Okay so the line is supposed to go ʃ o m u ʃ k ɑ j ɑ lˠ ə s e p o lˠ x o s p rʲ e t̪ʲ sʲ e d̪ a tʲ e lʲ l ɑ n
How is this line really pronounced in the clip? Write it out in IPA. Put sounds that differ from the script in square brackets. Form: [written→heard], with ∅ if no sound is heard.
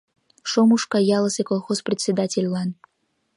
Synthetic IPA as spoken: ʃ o m u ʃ k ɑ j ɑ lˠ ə s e [p→k] o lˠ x o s p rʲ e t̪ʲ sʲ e d̪ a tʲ e lʲ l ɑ n